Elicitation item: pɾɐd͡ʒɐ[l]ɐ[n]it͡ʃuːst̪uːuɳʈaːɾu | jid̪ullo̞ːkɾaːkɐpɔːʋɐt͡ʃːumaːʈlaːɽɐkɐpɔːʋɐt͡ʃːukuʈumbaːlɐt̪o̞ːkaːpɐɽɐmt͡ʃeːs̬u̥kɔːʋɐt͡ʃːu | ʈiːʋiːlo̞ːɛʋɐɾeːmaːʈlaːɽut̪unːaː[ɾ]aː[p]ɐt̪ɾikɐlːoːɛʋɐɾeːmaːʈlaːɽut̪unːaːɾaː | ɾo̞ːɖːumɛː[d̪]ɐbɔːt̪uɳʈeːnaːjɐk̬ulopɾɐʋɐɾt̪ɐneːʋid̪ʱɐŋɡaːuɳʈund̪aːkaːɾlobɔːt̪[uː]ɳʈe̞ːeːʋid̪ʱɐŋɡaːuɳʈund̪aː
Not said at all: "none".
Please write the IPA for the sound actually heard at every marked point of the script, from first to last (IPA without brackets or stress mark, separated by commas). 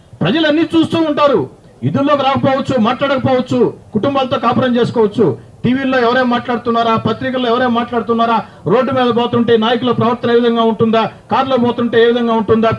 l, nː, ɾ, p, d̪, u